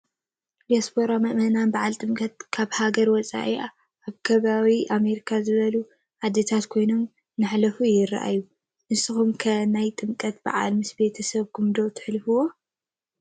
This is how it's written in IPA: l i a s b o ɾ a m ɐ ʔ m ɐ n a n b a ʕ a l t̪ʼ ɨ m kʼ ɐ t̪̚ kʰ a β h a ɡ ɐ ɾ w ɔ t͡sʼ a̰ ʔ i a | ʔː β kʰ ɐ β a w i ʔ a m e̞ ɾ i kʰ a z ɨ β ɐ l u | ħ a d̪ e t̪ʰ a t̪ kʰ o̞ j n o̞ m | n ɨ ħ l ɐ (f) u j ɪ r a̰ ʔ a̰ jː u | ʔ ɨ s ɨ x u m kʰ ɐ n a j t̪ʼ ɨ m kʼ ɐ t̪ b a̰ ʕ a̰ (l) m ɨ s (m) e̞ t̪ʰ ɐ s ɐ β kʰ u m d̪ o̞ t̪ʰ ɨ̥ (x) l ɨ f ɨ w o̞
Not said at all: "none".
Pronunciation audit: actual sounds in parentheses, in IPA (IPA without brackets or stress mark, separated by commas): f, l, b, ħ